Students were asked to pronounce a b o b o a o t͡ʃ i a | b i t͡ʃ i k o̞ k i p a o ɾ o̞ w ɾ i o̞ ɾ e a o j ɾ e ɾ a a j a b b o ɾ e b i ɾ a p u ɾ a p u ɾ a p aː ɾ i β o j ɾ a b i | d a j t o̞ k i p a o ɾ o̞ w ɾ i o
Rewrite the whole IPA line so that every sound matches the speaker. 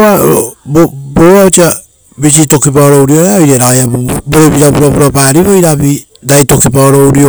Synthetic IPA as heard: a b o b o a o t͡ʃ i a | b i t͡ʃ i t o̞ k i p a o ɾ o̞ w ɾ i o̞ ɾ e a o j ɾ e ɾ a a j a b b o ɾ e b i ɾ a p u ɾ a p u ɾ a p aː ɾ i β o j ɾ a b i | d a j t o̞ k i p a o ɾ o̞ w ɾ i o